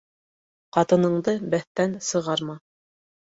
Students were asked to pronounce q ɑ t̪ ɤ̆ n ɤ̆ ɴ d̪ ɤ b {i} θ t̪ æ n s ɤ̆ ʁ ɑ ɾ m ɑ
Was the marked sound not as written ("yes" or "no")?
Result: yes